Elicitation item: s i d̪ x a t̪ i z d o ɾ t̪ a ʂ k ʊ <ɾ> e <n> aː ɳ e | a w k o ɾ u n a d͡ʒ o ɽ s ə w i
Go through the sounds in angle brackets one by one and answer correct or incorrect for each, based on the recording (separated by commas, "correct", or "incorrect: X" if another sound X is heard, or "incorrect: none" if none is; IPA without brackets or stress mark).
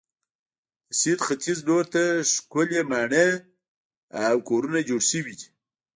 incorrect: l, incorrect: m